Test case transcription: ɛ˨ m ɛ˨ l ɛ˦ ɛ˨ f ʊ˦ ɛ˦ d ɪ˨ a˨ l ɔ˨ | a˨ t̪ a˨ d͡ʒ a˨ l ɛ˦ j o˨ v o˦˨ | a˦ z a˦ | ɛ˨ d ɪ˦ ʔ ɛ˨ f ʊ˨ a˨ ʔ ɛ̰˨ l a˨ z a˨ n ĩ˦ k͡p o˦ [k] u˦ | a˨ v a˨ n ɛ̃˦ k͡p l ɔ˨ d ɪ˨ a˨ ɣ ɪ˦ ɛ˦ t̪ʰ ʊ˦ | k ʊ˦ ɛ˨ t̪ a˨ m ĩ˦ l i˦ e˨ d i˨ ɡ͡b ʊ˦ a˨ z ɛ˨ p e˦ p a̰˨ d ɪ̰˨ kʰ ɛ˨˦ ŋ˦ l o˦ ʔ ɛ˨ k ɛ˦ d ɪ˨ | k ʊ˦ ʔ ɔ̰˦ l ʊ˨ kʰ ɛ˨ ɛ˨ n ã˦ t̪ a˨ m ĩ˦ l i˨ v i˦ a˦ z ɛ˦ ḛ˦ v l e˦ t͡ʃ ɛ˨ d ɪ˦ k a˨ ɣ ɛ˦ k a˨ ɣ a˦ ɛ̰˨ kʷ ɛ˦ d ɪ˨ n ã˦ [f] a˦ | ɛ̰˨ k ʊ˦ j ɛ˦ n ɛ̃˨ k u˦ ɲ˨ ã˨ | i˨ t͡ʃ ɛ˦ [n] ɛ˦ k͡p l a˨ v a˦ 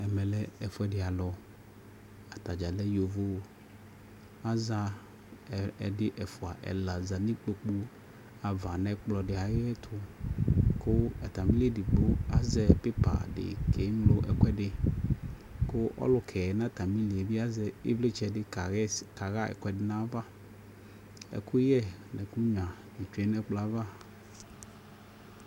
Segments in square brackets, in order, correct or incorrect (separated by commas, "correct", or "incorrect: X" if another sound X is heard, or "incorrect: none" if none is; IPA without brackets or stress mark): incorrect: k͡p, incorrect: v, correct